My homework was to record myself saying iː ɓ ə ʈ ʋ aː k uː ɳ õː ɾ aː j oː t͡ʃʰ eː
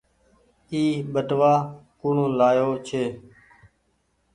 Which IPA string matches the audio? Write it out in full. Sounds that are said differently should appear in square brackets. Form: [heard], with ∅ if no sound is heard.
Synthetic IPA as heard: iː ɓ ə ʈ ʋ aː k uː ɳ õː [l] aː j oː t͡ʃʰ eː